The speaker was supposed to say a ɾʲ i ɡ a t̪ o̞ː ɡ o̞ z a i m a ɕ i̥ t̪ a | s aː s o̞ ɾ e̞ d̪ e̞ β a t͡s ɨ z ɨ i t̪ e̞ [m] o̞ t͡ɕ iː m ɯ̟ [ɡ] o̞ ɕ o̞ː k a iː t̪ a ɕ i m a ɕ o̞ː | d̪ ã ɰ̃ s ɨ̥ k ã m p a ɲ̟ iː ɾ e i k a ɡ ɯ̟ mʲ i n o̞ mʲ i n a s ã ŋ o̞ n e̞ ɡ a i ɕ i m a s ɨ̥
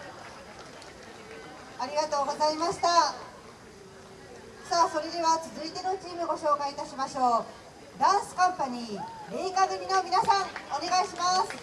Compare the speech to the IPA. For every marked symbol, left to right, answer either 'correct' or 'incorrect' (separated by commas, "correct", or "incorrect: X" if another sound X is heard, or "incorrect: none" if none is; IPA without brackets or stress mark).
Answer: incorrect: n, correct